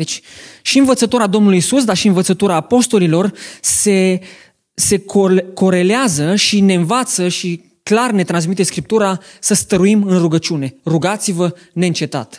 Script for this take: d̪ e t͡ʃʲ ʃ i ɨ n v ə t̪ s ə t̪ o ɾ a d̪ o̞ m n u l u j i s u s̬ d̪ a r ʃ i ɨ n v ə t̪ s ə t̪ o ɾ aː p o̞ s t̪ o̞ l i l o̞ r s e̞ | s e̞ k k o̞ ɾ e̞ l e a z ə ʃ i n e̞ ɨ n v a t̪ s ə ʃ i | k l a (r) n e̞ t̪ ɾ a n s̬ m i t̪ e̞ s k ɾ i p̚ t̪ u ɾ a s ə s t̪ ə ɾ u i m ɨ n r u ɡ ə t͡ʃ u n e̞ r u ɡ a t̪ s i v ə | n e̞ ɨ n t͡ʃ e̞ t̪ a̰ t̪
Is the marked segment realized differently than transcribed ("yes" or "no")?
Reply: no